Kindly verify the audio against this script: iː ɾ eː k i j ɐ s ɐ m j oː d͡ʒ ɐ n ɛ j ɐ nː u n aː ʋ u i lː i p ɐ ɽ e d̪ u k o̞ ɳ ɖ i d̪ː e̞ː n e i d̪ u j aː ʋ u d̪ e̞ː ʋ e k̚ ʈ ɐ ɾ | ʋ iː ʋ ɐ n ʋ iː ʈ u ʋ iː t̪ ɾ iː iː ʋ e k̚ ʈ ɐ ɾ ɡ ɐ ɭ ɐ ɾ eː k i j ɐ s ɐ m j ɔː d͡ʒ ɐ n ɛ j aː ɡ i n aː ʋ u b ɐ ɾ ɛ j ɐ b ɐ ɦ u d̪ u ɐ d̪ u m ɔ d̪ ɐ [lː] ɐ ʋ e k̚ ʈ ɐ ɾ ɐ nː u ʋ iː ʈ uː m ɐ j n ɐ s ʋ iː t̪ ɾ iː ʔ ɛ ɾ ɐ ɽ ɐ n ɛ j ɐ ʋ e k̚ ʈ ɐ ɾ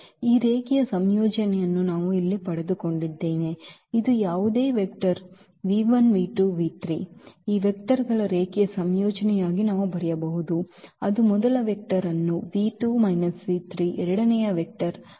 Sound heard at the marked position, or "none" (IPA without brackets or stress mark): l